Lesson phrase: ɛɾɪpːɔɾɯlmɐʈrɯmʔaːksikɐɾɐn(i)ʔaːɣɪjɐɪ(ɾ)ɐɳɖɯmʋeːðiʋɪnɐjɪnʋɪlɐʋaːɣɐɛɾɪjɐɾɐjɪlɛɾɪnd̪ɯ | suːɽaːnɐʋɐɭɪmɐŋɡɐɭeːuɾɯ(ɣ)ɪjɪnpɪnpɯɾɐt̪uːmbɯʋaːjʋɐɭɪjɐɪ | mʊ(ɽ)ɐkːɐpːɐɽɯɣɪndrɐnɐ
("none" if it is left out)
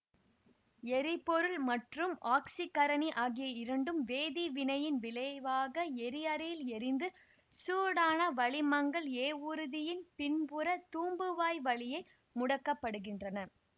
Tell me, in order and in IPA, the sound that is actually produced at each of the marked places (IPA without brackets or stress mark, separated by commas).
i, ɾ, ð, ɽ